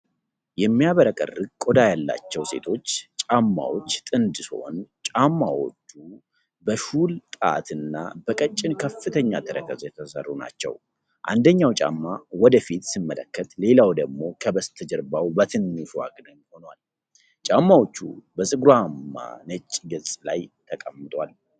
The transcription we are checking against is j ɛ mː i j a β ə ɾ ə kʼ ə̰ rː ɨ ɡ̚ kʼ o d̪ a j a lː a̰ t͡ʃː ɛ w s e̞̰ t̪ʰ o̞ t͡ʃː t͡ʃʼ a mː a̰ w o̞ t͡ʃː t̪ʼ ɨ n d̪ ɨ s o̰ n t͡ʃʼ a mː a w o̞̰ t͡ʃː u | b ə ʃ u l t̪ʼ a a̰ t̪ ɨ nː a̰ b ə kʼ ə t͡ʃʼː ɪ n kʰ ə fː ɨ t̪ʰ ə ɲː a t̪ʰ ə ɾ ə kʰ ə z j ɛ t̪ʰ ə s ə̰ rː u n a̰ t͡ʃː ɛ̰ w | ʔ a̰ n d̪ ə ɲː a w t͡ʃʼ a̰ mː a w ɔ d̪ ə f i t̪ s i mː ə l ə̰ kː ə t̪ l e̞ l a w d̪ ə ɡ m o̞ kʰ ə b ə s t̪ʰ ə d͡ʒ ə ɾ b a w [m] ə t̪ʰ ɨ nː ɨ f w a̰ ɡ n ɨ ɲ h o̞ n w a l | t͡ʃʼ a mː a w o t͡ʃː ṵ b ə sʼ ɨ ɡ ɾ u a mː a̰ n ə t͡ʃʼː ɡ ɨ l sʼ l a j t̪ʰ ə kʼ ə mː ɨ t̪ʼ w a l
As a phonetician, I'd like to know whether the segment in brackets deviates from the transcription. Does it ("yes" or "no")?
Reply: yes